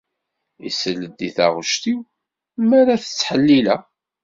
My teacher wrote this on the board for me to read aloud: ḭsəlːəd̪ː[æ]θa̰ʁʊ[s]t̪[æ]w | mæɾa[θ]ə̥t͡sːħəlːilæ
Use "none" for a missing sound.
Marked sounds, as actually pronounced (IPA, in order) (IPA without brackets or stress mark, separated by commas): i, ʃ, i, θ